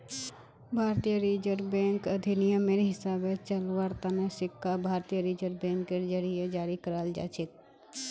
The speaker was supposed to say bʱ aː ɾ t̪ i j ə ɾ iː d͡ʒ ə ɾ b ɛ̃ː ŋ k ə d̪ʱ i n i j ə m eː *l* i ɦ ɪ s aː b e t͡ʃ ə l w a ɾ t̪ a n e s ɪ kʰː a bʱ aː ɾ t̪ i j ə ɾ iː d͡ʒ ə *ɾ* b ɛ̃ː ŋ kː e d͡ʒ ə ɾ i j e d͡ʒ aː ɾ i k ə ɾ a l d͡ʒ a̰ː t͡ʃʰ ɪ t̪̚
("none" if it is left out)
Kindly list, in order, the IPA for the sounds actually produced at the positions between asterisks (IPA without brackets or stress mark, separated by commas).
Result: ɾ, ɾ